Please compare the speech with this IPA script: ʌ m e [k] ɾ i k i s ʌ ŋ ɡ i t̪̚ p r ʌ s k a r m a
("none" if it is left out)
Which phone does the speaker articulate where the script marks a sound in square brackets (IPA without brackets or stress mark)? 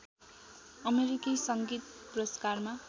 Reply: none